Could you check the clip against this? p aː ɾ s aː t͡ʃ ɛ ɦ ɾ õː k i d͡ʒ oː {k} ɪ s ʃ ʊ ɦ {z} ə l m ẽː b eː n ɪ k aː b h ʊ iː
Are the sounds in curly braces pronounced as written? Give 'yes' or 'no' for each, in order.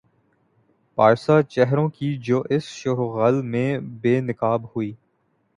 no, no

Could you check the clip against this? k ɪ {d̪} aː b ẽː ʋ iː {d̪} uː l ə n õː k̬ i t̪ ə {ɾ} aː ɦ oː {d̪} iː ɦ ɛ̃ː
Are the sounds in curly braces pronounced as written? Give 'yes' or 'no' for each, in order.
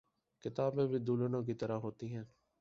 no, yes, yes, no

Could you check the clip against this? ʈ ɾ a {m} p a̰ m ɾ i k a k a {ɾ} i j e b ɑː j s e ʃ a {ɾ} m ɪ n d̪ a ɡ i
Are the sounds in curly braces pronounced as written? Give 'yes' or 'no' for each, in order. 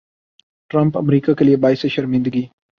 yes, no, yes

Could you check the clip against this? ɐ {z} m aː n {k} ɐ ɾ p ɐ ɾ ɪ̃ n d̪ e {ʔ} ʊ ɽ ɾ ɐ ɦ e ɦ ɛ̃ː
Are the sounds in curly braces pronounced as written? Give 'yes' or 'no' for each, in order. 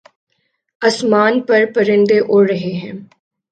no, no, yes

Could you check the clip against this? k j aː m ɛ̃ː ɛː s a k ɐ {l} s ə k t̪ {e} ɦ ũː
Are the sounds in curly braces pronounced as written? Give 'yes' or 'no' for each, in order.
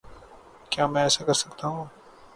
no, no

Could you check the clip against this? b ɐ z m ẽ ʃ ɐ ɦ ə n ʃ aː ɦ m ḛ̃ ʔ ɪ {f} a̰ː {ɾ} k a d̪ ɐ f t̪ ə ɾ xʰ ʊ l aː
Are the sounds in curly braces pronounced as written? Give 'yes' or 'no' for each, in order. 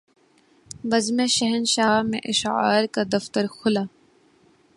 no, yes

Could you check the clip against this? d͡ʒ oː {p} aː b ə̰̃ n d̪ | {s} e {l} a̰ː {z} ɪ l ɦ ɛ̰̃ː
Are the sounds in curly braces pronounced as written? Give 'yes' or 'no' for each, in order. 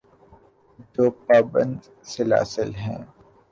yes, yes, yes, no

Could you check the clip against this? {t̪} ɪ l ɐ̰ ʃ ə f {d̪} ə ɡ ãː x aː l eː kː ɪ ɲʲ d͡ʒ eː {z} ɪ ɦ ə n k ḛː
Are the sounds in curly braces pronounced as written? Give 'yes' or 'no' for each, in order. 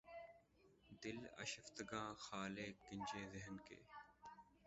no, no, yes

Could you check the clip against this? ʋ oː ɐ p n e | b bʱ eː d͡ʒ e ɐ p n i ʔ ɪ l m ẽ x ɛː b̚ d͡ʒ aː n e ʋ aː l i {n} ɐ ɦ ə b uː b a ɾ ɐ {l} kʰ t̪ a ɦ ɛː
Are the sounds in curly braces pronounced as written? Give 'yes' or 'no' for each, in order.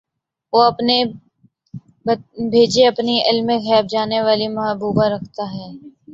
no, no

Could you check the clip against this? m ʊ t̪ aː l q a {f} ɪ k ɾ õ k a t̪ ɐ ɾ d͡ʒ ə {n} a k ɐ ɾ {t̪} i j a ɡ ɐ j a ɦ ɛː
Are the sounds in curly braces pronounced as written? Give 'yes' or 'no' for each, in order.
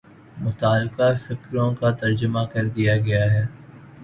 yes, no, no

